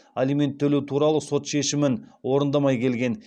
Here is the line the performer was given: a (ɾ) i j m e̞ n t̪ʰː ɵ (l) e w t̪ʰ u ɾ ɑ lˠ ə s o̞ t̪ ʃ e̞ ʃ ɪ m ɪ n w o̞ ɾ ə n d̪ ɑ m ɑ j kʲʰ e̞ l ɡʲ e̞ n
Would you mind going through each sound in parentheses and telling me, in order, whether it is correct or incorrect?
incorrect: l, correct

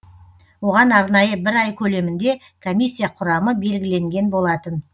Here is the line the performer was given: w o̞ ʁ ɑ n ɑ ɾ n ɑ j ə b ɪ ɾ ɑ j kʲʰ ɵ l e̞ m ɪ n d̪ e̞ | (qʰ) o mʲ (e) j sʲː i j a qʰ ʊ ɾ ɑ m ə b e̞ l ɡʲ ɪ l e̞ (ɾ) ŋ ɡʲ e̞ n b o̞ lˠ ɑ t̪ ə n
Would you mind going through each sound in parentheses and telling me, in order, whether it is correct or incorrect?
incorrect: kʰ, incorrect: i, incorrect: none

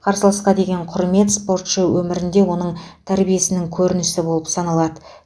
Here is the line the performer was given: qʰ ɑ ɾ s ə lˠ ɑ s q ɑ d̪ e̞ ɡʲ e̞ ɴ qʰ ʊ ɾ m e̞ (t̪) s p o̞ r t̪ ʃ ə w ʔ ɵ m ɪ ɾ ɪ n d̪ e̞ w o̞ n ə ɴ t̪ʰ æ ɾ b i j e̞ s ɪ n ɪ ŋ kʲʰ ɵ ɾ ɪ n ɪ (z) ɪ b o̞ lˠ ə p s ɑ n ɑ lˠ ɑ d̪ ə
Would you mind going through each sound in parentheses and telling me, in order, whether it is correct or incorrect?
correct, incorrect: s

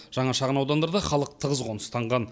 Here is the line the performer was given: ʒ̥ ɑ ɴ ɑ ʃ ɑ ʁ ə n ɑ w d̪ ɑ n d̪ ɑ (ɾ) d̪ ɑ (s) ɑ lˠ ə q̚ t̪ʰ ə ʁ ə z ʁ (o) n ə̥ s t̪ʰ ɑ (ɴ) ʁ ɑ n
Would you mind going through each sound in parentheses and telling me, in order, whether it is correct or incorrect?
correct, incorrect: χ, correct, correct

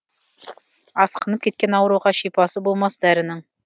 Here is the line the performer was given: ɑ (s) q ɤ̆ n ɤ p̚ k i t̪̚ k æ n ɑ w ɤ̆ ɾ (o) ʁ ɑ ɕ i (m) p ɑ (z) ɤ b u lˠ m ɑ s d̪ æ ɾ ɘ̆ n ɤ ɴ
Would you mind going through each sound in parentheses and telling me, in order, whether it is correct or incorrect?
correct, incorrect: u, incorrect: none, incorrect: s

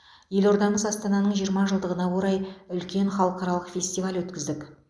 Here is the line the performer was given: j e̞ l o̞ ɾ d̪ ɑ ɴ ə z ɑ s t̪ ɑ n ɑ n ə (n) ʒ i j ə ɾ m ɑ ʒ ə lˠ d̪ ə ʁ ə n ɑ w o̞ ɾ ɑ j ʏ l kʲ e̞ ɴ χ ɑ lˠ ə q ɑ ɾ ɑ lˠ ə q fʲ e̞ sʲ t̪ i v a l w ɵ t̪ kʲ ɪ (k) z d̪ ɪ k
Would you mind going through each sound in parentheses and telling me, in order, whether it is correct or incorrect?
incorrect: ɴ, incorrect: none

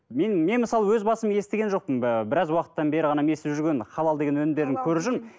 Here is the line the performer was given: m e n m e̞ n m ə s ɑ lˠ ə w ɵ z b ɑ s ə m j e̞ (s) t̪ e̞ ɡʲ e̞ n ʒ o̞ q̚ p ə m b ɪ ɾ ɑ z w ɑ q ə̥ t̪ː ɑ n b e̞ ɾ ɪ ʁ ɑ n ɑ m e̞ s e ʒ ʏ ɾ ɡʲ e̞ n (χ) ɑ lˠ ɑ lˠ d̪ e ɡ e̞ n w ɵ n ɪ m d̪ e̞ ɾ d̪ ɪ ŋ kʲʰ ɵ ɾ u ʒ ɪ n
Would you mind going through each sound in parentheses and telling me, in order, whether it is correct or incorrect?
correct, correct

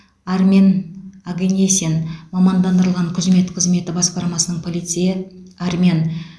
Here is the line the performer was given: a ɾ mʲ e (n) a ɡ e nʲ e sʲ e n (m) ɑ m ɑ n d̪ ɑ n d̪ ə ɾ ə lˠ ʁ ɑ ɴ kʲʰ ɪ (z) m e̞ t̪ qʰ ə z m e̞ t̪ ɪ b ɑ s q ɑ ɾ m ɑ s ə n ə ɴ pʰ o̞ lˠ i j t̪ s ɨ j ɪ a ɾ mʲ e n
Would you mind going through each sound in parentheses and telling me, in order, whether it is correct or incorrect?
correct, correct, correct

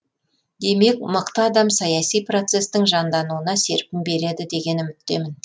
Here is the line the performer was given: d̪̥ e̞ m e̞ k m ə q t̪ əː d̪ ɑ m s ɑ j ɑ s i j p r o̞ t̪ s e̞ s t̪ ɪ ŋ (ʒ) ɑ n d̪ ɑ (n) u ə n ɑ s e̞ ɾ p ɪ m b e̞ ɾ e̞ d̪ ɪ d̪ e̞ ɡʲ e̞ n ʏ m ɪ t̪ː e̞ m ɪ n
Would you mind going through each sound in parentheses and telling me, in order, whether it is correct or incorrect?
correct, correct

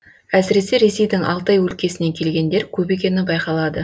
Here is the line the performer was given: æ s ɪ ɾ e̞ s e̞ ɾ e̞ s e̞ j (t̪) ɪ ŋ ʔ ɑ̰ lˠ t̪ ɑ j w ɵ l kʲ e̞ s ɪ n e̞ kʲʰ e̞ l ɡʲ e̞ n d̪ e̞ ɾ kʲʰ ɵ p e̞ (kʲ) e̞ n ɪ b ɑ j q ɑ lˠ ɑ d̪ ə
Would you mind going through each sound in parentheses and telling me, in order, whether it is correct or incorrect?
incorrect: d̪, correct

